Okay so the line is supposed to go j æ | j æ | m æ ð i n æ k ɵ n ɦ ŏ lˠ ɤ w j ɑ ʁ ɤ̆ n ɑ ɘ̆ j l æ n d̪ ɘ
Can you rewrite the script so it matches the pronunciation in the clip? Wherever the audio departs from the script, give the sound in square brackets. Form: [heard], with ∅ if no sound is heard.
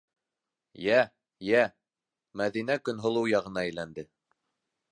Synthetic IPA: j æ | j æ | m æ ð i n æ k ɵ n ɦ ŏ lˠ ɤ w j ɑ ʁ ɤ̆ n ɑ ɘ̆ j l æ n d̪ ɘ